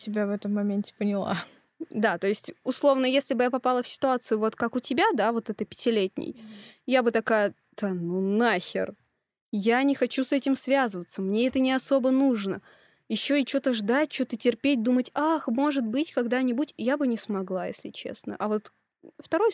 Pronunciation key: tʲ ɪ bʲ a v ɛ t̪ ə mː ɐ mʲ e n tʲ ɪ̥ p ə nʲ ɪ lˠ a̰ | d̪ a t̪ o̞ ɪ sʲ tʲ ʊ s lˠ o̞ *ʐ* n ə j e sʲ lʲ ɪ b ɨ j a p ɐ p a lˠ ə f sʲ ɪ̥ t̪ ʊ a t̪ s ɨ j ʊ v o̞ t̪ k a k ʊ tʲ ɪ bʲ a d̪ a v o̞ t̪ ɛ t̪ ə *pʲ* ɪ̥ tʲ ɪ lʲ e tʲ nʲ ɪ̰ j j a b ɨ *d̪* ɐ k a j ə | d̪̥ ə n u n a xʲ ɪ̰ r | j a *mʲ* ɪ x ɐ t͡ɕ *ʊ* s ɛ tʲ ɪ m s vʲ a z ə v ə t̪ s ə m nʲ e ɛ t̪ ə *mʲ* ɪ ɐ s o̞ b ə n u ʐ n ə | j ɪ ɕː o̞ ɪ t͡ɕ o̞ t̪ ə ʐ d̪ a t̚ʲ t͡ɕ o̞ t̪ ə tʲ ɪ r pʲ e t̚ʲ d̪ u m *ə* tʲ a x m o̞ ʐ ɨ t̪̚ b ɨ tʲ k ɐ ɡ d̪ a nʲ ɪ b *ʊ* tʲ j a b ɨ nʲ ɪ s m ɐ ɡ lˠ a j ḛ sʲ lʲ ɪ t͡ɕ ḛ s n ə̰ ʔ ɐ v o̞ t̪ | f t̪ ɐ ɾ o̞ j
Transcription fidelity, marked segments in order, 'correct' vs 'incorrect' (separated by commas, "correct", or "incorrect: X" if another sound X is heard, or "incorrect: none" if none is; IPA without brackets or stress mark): incorrect: v, correct, incorrect: t̪, incorrect: nʲ, incorrect: u, incorrect: nʲ, correct, incorrect: u